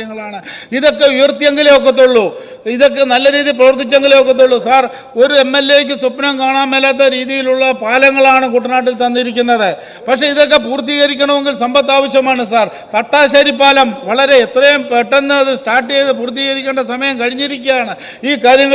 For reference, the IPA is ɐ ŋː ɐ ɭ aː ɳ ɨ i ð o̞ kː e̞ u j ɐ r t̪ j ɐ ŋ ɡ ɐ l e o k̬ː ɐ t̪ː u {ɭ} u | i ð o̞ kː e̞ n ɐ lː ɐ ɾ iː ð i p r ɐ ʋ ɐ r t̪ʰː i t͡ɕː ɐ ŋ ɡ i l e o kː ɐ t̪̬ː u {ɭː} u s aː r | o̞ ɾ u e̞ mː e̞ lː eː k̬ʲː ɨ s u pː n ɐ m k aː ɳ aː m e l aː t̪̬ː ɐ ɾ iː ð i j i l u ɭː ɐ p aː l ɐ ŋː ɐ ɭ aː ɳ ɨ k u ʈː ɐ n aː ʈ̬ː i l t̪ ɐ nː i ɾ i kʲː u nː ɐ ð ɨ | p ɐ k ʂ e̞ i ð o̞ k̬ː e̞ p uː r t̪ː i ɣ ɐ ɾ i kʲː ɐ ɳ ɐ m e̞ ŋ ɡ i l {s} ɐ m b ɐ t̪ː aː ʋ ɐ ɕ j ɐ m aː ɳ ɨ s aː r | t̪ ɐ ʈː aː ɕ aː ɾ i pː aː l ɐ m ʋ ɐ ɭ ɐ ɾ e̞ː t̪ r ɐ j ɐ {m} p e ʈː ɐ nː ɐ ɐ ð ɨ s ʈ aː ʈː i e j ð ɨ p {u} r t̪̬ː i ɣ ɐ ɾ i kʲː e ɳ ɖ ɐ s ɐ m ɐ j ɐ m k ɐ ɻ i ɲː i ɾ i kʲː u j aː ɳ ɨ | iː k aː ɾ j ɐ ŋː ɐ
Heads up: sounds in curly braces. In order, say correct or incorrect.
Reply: incorrect, correct, correct, correct, incorrect

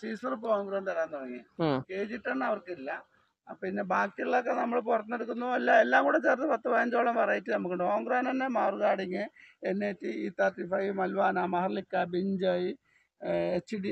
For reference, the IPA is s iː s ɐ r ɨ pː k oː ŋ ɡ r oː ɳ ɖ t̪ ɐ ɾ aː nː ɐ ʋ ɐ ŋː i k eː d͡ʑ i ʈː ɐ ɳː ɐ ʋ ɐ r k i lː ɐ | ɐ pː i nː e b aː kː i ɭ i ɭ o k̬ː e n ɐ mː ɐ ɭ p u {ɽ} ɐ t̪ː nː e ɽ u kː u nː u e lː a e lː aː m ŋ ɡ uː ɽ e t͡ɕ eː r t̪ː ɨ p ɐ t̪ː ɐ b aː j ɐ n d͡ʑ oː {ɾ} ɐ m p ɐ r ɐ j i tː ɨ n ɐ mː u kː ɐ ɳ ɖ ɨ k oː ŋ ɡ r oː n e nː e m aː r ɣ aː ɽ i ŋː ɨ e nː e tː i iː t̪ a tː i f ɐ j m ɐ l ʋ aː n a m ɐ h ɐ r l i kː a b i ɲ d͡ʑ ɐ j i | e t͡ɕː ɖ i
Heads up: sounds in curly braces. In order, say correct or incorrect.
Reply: incorrect, incorrect

